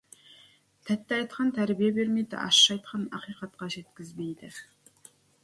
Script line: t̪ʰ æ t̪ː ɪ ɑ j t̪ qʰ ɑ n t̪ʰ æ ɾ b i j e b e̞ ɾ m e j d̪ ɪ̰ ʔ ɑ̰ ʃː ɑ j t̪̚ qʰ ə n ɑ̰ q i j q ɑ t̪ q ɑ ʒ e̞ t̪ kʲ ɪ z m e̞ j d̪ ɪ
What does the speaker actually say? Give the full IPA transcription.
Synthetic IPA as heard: t̪ʰ æ t̪ː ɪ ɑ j t̪ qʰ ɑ n t̪ʰ æ ɾ b i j e b e̞ ɾ m e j d̪ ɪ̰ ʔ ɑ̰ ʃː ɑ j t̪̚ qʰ ɑ n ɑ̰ q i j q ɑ t̪ q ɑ ʒ e̞ t̪ kʲ ɪ z m e̞ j d̪ ɪ